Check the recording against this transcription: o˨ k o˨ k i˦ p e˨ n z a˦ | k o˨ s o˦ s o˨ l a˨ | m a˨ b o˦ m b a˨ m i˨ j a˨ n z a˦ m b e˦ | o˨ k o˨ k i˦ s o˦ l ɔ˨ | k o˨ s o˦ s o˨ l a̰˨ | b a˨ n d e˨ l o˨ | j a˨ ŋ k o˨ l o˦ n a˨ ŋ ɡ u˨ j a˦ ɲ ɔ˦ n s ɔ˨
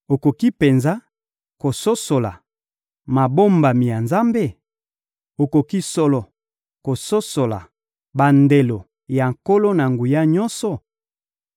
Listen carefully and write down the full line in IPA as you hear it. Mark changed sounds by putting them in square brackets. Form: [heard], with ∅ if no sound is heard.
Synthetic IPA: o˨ k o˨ k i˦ p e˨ n z a˦ | k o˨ s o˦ s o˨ l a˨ | m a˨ b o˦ m b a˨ m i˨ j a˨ n z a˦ m b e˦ | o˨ k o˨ k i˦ s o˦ l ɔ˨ | k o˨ s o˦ s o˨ l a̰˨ | b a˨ n d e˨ l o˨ | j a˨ ŋ k [o˦] l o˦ n a˨ ŋ ɡ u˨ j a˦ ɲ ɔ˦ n s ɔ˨